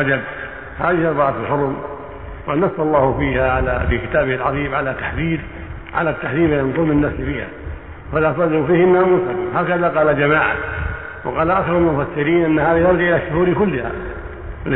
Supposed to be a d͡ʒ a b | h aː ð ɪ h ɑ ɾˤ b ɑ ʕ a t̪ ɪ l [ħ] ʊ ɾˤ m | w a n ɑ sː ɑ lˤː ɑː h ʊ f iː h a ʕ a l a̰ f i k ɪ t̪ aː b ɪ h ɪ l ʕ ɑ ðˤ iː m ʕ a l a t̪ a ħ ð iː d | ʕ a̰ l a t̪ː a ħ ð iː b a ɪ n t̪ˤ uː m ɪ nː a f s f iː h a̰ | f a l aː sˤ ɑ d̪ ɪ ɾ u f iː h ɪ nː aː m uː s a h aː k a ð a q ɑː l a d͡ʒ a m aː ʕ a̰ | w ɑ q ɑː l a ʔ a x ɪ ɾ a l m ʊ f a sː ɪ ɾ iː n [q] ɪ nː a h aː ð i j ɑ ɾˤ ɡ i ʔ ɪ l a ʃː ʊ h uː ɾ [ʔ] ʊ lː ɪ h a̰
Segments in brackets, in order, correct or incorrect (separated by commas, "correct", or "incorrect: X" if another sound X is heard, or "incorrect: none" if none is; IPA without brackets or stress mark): correct, incorrect: ʔ, incorrect: k